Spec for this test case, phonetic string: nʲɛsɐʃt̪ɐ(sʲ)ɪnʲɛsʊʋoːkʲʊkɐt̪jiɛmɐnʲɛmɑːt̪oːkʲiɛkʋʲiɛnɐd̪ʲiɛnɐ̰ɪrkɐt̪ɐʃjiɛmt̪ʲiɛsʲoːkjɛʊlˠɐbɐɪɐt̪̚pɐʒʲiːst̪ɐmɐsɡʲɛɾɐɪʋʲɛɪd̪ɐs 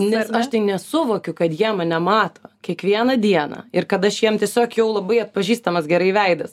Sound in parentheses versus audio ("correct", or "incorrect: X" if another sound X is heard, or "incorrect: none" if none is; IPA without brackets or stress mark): incorrect: none